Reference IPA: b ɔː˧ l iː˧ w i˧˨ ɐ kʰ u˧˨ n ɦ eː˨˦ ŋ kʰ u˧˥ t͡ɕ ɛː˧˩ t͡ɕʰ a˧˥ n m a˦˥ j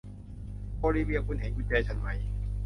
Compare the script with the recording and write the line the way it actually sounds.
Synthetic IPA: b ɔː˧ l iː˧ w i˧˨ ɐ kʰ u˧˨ n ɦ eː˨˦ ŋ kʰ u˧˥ t͡ɕ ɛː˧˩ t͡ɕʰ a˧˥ n m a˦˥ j